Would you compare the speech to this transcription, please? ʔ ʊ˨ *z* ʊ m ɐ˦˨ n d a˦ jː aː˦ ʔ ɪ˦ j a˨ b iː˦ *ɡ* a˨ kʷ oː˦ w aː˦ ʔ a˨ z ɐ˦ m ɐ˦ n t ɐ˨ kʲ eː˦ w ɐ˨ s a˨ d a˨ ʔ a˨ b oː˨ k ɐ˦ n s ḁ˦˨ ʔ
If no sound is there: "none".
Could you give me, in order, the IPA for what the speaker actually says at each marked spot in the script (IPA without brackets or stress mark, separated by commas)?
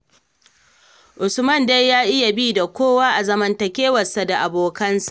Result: s, d